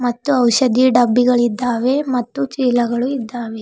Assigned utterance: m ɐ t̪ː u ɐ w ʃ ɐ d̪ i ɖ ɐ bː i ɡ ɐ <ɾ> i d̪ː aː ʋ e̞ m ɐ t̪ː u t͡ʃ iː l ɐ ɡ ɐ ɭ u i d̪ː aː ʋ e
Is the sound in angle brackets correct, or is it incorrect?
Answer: incorrect